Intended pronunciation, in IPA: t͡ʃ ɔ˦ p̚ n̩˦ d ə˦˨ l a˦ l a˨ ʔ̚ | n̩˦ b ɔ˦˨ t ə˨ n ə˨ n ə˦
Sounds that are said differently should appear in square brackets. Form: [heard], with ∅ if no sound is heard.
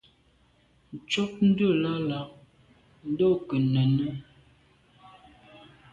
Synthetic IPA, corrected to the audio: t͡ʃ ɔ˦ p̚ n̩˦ d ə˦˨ l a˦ l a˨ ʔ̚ | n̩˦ [d] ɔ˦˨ [k] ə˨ n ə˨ n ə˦